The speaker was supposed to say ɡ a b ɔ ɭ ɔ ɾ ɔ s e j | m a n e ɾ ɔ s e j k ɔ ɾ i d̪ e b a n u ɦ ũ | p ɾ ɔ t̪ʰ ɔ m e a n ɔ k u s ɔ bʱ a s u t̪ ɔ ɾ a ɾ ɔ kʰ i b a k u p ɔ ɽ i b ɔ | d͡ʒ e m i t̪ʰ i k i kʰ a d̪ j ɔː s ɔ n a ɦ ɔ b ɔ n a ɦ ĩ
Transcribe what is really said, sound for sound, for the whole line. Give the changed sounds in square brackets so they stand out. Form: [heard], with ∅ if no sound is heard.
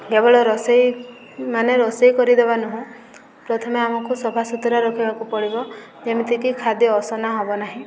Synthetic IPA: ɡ [e] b ɔ ɭ ɔ ɾ ɔ s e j | m a n e ɾ ɔ s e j k ɔ ɾ i d̪ e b a n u ɦ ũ | p ɾ ɔ t̪ʰ ɔ m e a [m] ɔ k u s ɔ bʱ a s u t̪ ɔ ɾ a ɾ ɔ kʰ i b a k u p ɔ ɽ i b ɔ | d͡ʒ e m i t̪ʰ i k i kʰ a d̪ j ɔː s ɔ n a ɦ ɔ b ɔ n a ɦ ĩ